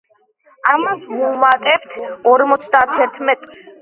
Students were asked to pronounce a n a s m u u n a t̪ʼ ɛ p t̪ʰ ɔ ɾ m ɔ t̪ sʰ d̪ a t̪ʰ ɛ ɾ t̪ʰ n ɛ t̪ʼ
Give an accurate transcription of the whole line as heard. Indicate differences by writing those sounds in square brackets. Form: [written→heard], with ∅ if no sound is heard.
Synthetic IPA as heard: a [n→m] a s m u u [n→m] a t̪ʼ ɛ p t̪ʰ ɔ ɾ m ɔ t̪ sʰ d̪ a t̪ʰ ɛ ɾ t̪ʰ [n→m] ɛ t̪ʼ